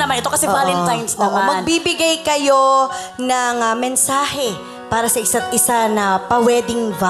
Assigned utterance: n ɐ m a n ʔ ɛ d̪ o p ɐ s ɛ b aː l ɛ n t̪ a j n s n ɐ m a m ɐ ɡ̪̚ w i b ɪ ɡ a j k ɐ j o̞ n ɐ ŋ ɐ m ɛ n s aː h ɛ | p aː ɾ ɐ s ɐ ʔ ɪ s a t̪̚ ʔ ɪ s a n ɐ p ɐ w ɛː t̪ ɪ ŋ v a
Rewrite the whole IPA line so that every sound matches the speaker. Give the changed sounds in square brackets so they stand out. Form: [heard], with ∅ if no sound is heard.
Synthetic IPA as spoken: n ɐ m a n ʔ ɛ [t̪] o [k] ɐ s ɛ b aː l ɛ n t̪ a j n s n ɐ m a m ɐ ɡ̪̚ [b] i b ɪ ɡ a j k ɐ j o̞ n ɐ ŋ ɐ m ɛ n s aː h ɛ | p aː ɾ ɐ s ɐ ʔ ɪ s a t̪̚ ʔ ɪ s a n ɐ p ɐ w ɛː [d̪] ɪ ŋ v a